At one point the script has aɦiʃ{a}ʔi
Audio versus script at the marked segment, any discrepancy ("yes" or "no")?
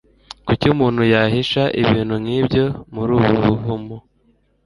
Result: no